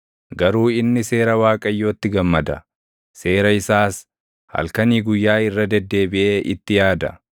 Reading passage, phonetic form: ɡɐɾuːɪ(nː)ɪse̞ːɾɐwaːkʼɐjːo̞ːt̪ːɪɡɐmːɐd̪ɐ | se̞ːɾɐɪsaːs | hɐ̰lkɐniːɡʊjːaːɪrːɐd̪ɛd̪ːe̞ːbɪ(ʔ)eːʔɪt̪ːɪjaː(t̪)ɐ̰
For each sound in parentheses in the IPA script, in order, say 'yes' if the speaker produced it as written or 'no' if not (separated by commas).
yes, yes, no